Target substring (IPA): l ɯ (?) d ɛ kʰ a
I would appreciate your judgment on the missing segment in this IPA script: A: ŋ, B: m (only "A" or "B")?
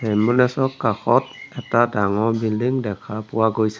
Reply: A